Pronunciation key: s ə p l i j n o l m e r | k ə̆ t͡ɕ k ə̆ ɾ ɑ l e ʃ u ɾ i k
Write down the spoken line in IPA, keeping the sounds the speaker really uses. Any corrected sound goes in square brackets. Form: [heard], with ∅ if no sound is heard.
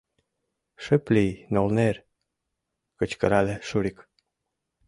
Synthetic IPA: [ʃ] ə p l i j n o l [n] e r | k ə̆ t͡ɕ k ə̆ ɾ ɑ l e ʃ u ɾ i k